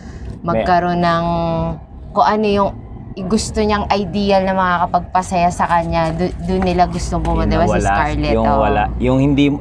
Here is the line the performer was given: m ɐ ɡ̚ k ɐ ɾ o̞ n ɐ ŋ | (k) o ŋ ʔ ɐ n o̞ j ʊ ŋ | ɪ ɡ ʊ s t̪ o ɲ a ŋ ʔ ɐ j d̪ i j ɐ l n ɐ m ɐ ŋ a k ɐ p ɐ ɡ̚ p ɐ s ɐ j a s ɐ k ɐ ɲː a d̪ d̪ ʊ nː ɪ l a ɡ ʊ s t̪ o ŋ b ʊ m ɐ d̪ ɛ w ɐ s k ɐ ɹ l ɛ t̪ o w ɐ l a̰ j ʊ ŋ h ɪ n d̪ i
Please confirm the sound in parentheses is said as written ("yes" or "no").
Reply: yes